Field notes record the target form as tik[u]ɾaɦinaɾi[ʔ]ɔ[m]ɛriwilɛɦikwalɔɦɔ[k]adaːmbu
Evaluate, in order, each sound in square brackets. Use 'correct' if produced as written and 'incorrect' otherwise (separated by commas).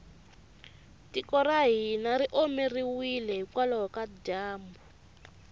incorrect, correct, correct, correct